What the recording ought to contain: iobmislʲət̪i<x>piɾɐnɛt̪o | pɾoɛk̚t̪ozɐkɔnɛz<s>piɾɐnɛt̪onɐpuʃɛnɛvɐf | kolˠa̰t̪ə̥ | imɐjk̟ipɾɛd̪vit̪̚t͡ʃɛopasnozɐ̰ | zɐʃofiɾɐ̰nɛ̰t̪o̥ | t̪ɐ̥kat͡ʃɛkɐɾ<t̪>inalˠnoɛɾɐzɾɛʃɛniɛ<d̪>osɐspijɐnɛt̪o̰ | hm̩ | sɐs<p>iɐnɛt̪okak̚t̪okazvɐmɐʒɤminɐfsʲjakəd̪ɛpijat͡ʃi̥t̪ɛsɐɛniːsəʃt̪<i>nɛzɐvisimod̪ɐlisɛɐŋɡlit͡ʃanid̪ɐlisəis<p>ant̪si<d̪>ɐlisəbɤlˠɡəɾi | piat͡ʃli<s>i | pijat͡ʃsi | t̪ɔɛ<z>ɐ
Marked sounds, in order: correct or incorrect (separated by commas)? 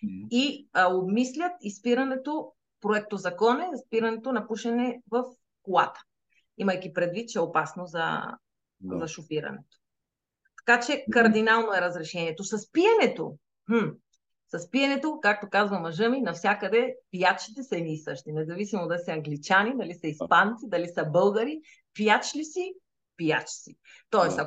incorrect, correct, incorrect, incorrect, correct, correct, correct, correct, correct, incorrect